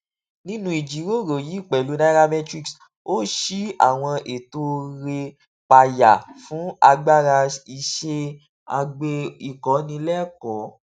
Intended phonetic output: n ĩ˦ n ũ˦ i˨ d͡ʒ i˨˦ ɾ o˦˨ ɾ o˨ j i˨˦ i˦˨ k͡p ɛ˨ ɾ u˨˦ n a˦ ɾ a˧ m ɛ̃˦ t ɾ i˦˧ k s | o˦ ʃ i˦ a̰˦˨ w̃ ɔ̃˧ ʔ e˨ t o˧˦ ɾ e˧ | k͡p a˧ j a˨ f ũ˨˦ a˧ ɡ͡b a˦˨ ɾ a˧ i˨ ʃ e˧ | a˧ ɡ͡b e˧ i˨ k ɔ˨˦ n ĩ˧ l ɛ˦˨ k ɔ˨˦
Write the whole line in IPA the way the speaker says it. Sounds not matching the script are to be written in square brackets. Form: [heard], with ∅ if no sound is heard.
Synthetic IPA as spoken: n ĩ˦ n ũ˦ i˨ d͡ʒ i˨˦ ɾ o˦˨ ɾ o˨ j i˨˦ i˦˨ k͡p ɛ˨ [l] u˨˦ n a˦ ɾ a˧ m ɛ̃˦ t ɾ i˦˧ k s | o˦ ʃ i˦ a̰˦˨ w̃ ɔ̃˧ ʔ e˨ t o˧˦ ɾ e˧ | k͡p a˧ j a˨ f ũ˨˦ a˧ ɡ͡b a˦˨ ɾ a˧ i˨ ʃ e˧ | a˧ ɡ͡b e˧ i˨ k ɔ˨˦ n ĩ˧ l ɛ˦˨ k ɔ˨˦